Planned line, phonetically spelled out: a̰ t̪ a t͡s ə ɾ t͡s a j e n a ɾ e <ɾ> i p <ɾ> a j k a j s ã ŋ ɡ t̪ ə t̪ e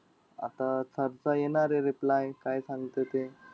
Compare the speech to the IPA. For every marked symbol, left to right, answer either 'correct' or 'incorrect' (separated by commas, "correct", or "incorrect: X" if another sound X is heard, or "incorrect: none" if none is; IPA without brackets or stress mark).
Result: correct, incorrect: l